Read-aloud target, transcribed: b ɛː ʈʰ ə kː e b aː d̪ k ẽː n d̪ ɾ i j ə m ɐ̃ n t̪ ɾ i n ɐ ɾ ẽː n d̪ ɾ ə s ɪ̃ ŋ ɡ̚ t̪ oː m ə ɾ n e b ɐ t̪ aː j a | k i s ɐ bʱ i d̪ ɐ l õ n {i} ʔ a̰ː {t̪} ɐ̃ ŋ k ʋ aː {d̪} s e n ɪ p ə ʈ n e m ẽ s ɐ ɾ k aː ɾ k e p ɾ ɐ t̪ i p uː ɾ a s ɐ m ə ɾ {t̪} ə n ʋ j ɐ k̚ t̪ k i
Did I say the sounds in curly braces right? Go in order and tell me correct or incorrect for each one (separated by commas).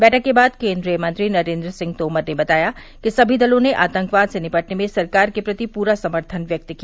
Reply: incorrect, correct, correct, incorrect